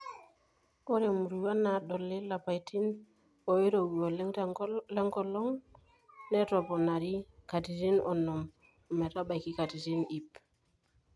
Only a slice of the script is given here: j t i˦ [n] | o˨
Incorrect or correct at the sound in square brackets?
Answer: correct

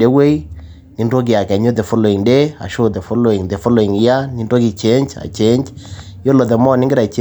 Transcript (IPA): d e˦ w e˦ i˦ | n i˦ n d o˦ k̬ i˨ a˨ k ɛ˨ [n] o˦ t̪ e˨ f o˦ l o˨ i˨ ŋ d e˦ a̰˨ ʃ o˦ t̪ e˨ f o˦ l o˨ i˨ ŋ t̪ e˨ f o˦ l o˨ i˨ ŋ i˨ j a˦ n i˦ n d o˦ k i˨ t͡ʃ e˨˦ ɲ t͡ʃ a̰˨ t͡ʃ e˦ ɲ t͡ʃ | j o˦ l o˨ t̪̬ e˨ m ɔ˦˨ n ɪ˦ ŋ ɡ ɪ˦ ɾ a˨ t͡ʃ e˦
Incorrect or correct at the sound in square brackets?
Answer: incorrect: ɲ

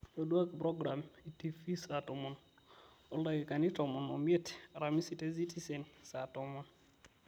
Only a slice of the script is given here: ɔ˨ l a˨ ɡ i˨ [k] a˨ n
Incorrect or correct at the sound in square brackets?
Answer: correct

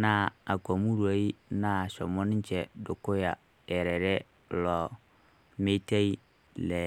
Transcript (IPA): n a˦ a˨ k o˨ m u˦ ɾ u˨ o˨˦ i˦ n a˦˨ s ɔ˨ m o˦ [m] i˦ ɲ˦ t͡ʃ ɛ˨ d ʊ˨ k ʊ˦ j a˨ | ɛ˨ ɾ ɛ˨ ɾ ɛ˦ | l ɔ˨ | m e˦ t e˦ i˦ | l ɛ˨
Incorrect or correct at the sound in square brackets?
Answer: incorrect: n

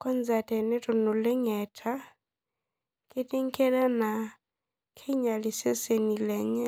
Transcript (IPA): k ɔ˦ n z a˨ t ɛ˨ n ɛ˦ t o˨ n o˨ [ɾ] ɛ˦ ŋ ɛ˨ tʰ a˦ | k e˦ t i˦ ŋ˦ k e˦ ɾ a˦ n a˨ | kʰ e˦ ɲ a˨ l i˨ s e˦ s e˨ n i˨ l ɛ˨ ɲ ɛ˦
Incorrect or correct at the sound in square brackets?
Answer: incorrect: l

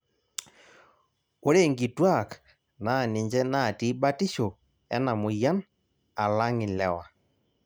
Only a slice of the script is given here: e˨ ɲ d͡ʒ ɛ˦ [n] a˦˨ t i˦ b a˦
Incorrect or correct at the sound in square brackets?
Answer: correct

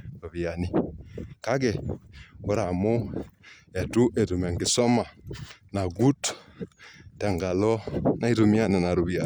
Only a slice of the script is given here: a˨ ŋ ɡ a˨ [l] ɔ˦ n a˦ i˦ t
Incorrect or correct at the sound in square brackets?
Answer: correct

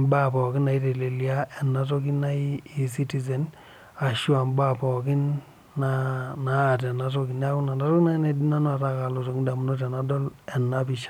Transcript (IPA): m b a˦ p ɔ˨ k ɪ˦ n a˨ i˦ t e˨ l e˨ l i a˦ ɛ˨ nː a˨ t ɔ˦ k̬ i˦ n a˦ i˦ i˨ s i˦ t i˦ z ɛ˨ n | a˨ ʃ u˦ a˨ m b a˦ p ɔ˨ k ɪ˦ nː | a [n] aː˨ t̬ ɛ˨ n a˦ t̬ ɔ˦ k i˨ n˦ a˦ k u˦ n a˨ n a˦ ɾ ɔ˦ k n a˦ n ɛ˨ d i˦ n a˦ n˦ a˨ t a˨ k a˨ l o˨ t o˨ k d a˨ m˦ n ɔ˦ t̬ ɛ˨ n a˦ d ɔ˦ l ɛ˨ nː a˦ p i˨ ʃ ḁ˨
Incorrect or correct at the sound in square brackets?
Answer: correct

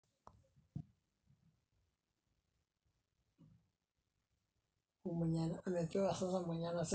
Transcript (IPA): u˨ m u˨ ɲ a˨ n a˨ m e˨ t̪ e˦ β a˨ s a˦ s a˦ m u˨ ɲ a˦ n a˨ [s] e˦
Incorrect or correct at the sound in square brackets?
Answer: correct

